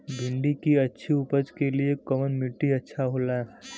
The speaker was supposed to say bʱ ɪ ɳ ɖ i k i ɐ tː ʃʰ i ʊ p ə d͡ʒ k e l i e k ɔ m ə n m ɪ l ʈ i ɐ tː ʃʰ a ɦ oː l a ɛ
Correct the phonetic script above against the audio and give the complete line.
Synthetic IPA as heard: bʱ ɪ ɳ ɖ i k i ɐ tː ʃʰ i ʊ p ə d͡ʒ k e l i e k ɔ m ə n m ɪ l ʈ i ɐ tː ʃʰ a ɦ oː l a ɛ